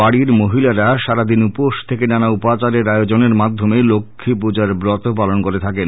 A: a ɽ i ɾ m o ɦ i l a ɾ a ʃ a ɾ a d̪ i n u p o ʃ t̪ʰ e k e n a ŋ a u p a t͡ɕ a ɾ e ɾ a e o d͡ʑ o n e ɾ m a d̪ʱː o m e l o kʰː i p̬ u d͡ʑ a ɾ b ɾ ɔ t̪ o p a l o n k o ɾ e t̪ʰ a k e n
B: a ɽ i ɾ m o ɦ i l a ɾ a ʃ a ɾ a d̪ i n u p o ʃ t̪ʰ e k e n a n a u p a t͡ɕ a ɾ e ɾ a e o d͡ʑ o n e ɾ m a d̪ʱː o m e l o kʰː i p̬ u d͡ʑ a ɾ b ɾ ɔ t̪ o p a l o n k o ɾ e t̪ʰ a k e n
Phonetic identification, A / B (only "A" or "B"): B